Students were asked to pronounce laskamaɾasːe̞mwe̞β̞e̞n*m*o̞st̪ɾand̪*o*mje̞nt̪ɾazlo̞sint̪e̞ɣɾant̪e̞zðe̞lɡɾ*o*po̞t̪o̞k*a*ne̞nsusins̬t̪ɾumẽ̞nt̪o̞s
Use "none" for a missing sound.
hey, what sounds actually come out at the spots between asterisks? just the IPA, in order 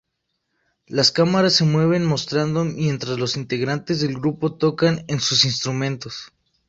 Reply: m, o, u, a

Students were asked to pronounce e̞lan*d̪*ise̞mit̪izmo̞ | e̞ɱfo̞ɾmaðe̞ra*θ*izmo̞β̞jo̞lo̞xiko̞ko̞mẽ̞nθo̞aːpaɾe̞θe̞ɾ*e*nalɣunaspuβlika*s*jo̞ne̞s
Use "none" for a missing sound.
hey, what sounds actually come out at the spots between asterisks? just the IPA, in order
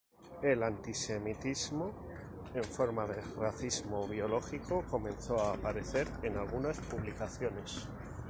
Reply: t̪, θ, e, θ

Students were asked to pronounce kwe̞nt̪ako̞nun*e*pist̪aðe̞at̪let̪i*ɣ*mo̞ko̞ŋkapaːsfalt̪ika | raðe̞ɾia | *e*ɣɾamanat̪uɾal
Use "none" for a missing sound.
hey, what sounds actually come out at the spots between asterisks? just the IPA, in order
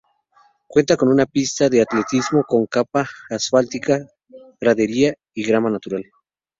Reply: a, z, i

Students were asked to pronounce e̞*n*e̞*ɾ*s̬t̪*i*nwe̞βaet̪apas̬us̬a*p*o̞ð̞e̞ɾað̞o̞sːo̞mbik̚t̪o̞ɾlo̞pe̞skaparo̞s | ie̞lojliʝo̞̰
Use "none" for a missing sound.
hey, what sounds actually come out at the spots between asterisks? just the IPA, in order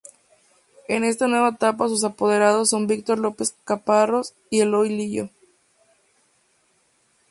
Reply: n, none, a, p

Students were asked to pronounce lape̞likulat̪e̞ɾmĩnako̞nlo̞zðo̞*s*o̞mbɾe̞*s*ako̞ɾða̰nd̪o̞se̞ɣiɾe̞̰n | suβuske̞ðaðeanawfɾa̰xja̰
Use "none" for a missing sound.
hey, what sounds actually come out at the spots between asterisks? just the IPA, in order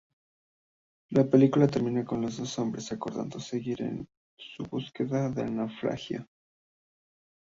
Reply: s, s

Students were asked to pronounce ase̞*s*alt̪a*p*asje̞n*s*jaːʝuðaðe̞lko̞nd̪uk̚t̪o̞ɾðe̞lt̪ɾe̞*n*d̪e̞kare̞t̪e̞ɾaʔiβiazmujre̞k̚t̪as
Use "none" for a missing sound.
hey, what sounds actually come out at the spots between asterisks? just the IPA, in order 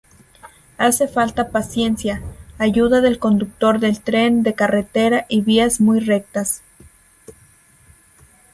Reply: f, p, s, n

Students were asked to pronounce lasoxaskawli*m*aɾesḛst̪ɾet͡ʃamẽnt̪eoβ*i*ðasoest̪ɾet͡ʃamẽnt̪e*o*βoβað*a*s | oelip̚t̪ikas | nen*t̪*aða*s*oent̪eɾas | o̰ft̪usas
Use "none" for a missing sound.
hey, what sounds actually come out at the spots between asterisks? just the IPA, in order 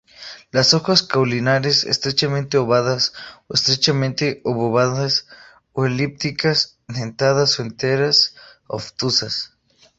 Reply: n, a, o, a, t̪, s

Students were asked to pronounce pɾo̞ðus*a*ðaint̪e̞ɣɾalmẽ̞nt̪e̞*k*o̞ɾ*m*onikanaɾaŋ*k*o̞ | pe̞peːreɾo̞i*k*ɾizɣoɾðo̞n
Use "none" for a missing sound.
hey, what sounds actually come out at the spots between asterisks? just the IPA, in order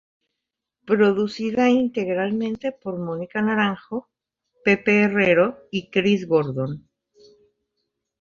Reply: i, p, m, x, k

